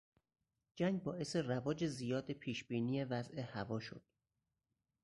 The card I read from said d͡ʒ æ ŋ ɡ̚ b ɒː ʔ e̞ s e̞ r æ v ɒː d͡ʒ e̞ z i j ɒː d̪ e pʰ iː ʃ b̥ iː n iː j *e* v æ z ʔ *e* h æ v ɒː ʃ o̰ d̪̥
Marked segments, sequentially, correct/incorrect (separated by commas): correct, correct